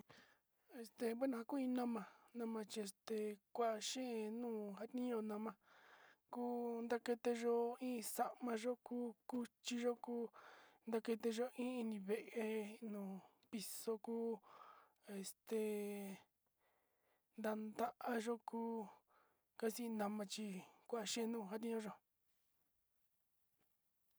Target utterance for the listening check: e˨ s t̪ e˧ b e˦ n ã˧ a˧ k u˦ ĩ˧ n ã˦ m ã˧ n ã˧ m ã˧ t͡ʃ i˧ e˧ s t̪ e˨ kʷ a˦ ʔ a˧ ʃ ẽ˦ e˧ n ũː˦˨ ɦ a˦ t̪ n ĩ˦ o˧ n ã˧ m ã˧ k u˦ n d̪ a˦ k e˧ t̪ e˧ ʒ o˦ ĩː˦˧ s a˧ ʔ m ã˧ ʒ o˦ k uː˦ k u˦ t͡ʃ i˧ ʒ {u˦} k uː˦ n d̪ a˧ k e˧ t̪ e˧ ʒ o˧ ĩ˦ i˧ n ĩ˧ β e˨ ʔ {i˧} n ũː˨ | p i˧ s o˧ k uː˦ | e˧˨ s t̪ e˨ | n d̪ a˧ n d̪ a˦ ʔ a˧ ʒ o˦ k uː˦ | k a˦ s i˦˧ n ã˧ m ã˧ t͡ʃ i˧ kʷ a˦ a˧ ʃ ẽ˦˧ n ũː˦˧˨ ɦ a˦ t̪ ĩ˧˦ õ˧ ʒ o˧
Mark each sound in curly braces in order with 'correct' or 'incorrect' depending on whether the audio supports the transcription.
incorrect: o˦, incorrect: e˧

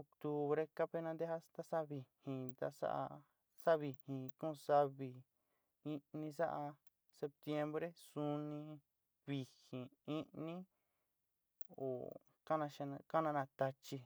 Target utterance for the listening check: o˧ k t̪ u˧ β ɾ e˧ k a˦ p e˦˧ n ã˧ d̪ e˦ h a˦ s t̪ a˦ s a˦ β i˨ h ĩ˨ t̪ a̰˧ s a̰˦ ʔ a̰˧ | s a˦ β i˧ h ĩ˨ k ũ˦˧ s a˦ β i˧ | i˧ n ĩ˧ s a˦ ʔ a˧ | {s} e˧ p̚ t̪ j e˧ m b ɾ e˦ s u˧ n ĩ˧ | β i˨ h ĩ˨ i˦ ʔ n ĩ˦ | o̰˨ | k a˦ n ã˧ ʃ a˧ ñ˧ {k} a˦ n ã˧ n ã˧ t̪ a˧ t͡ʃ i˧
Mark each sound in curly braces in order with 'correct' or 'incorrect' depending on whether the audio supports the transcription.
correct, correct

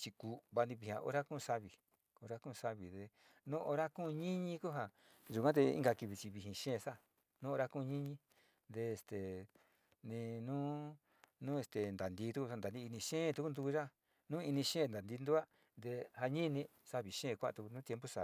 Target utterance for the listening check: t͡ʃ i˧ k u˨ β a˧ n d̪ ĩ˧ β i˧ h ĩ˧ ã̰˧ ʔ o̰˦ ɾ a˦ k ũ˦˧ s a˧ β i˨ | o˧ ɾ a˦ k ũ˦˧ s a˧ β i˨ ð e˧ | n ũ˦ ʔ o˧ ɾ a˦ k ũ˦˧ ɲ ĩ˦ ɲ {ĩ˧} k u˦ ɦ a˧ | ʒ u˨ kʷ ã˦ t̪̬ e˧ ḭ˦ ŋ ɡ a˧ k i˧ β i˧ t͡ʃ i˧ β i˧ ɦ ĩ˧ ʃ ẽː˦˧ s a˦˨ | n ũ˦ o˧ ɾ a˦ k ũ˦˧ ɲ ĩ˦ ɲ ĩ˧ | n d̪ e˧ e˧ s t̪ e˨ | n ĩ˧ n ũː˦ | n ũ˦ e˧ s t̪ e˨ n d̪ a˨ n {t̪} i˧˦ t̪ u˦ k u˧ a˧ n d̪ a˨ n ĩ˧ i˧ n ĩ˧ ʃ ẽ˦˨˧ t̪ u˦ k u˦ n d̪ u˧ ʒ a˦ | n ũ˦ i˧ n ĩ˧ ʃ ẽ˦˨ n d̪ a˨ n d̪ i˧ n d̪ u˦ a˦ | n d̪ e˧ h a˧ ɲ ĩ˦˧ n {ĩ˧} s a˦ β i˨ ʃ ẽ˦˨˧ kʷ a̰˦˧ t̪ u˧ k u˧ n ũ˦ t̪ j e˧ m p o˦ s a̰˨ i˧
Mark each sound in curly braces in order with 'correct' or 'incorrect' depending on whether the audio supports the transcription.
correct, incorrect: d̪, correct

